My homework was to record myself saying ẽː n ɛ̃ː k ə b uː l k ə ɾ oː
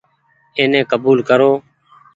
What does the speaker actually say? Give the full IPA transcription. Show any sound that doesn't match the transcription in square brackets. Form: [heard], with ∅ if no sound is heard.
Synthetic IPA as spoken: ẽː n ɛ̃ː k ə b uː l k ə ɾ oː